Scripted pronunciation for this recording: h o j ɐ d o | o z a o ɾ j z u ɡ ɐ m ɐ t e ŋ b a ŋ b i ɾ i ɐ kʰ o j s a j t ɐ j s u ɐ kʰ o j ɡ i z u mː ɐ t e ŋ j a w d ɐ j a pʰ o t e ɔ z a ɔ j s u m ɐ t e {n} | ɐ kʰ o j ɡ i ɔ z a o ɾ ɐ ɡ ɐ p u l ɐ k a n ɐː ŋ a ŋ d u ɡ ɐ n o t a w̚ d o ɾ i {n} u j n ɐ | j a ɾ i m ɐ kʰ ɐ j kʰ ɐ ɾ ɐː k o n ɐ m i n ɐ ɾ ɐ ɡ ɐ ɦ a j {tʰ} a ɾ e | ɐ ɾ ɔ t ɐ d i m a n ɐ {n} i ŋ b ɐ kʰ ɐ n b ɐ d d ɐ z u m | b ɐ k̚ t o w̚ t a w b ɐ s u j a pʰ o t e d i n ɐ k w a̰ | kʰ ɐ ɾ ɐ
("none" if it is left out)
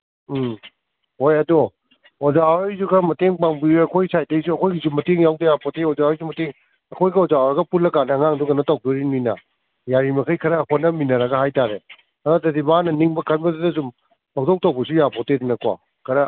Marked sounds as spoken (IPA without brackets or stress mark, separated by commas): ŋ, n, t, n